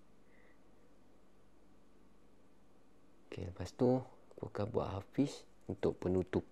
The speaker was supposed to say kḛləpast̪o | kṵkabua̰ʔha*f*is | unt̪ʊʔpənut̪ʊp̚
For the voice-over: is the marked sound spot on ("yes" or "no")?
yes